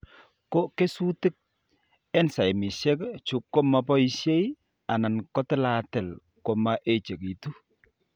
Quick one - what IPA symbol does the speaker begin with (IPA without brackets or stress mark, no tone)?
k